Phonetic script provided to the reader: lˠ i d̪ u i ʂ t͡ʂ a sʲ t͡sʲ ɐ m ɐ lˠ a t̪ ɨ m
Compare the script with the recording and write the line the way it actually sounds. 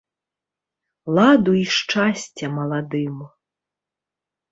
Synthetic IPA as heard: lˠ a d̪ u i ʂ t͡ʂ a sʲ t͡sʲ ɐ m ɐ lˠ a d̪ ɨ m

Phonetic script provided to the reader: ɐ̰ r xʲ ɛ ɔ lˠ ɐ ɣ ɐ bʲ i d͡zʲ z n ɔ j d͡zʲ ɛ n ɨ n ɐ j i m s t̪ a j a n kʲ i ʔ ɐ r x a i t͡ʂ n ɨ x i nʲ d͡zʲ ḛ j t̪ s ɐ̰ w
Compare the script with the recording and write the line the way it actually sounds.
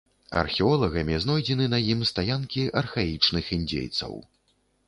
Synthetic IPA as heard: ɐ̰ r xʲ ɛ ɔ lˠ ɐ ɣ ɐ mʲ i z n ɔ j d͡zʲ ɛ n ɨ n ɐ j i m s t̪ a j a n kʲ i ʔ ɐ r x a i t͡ʂ n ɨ x i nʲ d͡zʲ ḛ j t̪ s ɐ̰ w

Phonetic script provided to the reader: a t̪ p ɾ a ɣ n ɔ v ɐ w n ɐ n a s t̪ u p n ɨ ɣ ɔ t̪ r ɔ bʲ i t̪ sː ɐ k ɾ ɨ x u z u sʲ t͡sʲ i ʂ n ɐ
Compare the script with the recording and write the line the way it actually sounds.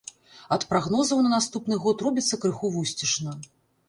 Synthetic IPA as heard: ɐ t̪ p ɾ a ɣ n ɔ z ɐ w n ɐ n a s t̪ u p n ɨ ɣ ɔ t̪ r ɔ bʲ i t̪ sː ɐ k ɾ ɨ x u v u sʲ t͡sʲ i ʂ n ɐ

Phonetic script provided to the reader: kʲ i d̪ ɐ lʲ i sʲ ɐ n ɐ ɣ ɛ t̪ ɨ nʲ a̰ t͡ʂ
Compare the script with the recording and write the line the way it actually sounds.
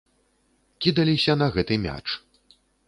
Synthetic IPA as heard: kʲ i d̪ ɐ lʲ i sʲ ɐ n ɐ ɣ ɛ t̪ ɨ mʲ a̰ t͡ʂ

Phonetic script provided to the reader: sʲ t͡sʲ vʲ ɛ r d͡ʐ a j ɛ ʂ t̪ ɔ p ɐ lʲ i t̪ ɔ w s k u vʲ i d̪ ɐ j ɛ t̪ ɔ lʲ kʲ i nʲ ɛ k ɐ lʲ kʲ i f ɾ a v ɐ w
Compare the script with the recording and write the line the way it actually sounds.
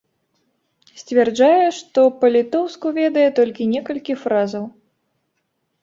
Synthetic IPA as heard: sʲ t͡sʲ vʲ ɛ r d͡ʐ a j ɛ ʂ t̪ ɔ p ɐ lʲ i t̪ ɔ w s k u vʲ ɛ d̪ ɐ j ɛ t̪ ɔ lʲ kʲ i nʲ ɛ k ɐ lʲ kʲ i f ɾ a z ɐ w

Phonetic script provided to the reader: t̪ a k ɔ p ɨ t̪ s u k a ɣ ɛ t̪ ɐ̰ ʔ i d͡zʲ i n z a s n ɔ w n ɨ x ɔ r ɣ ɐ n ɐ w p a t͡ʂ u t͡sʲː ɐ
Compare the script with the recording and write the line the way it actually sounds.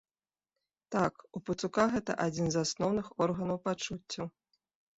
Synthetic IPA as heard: t̪ a k u p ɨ t̪ s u k a ɣ ɛ t̪ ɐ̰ ʔ a d͡zʲ i n z a s n ɔ w n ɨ x ɔ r ɣ ɐ n ɐ w p a t͡ʂ u t͡sʲː ɐ

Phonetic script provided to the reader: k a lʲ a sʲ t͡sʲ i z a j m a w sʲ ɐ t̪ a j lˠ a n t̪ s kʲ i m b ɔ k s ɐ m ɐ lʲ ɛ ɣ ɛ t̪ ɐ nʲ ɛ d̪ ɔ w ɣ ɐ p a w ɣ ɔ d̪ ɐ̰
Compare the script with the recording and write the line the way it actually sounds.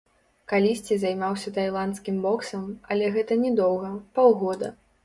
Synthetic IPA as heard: k a lʲ i sʲ t͡sʲ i z a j m a w sʲ ɐ t̪ a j lˠ a n t̪ s kʲ i m b ɔ k s ɐ m ɐ lʲ ɛ ɣ ɛ t̪ ɐ nʲ ɛ d̪ ɔ w ɣ ɐ p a w ɣ ɔ d̪ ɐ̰

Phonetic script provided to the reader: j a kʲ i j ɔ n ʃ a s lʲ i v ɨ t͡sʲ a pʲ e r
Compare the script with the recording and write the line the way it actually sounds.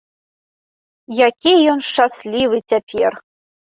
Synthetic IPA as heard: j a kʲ i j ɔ n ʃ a s lʲ i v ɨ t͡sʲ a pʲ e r

